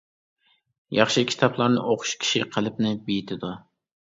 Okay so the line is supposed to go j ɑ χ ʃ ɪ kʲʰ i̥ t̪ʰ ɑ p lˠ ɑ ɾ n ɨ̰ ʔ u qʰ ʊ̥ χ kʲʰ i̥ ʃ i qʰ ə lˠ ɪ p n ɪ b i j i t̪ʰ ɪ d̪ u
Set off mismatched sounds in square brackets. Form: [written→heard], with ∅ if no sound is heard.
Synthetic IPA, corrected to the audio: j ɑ χ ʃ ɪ kʲʰ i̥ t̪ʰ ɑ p lˠ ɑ ɾ n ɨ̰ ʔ [u→o] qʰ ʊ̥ [χ→ʃ] kʲʰ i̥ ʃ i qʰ ə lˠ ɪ p n ɪ b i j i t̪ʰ ɪ d̪ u